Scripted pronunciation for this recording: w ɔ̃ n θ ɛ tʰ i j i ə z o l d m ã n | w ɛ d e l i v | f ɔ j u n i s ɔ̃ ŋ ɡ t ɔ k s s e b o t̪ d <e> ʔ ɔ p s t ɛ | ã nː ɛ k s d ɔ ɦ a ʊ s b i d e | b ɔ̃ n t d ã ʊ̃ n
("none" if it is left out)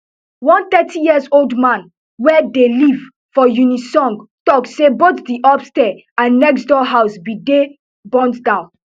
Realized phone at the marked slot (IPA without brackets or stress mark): i